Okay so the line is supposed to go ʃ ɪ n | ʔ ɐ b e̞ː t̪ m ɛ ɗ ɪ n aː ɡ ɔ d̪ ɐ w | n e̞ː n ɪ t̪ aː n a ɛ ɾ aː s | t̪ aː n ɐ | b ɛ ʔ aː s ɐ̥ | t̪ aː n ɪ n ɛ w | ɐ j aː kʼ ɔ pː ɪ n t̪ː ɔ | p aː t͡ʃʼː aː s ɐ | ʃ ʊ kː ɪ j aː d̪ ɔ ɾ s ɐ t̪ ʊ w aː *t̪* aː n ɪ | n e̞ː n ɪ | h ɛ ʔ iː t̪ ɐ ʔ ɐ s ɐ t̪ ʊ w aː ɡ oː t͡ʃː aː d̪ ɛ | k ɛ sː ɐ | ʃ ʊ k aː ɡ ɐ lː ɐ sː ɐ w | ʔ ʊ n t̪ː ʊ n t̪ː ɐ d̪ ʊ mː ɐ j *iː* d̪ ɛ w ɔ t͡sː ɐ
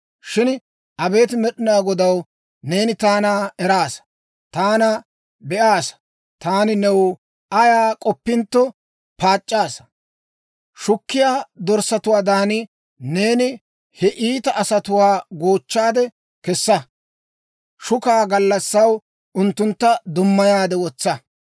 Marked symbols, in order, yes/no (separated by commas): no, no